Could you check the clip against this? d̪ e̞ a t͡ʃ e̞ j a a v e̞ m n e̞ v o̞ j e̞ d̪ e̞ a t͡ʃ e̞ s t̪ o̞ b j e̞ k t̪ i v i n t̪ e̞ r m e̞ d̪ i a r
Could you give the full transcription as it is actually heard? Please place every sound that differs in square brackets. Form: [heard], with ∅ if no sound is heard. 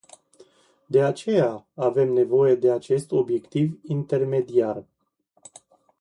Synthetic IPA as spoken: d̪ e̞ a t͡ʃ e̞ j a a v e̞ m n e̞ v o̞ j e̞ d̪ e̞ a t͡ʃ e̞ s t̪ o̞ b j e̞ k t̪ i v i n t̪ e̞ r m e̞ d̪ i a r